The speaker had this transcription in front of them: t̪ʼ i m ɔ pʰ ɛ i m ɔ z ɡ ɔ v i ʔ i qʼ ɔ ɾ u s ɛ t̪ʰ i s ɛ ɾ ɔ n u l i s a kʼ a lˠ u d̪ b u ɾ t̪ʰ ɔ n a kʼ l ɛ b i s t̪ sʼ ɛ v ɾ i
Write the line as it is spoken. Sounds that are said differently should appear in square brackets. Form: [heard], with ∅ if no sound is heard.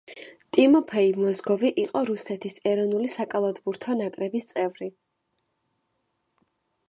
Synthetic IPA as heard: t̪ʼ i m ɔ pʰ ɛ i m ɔ z ɡ ɔ v i ʔ i qʼ ɔ ɾ u s ɛ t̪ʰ i s ɛ ɾ ɔ n u l i s a kʼ a lˠ [ɔ] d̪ b u ɾ t̪ʰ ɔ n a kʼ [ɾ] ɛ b i s t̪ sʼ ɛ v ɾ i